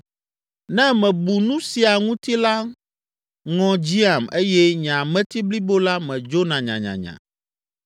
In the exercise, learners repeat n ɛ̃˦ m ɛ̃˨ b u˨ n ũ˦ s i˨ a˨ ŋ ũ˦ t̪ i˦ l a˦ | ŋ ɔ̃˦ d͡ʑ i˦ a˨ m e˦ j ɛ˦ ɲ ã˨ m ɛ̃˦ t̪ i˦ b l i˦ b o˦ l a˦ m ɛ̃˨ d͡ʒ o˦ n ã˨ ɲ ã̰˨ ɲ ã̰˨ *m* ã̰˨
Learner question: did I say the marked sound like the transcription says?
no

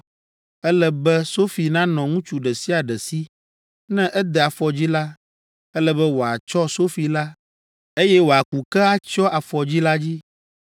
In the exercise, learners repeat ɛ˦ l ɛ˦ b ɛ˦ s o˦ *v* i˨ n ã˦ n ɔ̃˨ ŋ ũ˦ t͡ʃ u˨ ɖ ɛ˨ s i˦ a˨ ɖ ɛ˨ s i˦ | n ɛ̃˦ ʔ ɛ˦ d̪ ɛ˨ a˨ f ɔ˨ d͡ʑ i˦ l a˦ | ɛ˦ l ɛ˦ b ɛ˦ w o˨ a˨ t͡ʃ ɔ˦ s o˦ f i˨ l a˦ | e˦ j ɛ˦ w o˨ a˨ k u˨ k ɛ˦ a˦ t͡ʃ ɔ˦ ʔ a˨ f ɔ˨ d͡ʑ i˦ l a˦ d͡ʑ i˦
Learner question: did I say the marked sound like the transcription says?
no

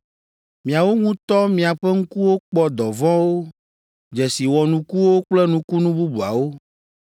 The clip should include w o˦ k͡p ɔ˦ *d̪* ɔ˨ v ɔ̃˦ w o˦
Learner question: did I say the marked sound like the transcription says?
yes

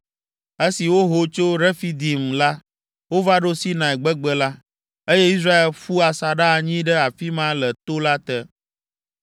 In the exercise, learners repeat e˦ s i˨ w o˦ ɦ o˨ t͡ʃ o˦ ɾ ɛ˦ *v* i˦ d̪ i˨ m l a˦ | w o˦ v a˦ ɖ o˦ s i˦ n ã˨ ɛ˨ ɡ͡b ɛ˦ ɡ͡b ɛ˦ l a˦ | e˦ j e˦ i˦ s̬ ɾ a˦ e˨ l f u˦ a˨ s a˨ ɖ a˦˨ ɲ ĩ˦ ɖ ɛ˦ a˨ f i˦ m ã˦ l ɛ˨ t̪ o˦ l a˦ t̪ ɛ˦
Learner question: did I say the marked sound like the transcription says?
no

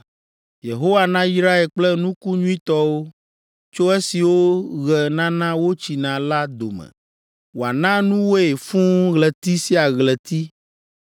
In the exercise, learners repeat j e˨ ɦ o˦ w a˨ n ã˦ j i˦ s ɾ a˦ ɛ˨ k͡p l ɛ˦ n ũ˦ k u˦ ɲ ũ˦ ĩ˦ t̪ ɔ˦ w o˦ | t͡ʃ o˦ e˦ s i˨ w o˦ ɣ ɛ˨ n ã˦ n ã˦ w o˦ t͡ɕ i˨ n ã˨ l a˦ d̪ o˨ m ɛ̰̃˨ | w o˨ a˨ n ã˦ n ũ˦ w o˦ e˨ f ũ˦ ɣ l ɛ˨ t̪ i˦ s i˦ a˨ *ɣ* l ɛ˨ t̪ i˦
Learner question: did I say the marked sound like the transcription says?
yes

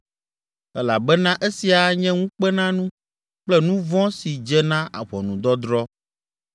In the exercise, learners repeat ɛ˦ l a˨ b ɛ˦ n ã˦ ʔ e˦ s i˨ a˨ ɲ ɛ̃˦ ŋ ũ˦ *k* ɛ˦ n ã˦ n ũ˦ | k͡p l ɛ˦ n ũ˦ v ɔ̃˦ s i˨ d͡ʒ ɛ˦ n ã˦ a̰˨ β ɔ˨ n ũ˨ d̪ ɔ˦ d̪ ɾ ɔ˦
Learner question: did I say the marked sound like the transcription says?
no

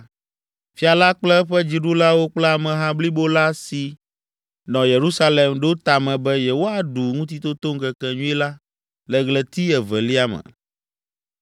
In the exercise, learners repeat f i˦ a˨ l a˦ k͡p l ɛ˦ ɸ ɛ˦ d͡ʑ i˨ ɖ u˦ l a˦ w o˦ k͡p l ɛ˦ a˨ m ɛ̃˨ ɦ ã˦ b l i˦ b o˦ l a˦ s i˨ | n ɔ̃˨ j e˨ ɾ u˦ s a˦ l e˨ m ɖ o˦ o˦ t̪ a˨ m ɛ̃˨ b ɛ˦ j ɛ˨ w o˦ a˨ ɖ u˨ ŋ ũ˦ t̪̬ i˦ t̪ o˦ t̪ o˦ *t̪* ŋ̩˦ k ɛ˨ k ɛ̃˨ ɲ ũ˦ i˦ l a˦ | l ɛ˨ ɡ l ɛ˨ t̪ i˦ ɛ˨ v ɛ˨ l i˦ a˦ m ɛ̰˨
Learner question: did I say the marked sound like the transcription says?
no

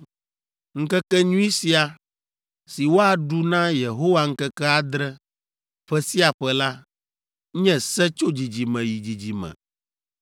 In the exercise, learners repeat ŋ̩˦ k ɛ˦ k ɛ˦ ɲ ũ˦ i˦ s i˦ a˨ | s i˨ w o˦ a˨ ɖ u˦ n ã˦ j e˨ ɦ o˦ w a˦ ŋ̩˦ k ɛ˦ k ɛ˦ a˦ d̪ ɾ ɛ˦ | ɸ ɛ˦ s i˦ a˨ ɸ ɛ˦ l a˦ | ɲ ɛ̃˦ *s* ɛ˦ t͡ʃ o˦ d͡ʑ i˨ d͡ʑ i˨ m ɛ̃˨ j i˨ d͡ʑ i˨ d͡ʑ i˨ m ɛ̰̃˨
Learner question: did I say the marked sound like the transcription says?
yes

